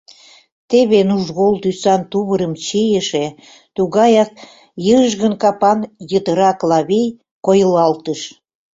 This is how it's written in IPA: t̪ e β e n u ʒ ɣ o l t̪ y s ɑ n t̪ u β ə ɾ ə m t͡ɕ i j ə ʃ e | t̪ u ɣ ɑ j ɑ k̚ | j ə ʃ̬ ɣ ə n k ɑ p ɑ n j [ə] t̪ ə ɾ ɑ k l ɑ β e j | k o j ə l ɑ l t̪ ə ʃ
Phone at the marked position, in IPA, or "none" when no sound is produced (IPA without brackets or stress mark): ə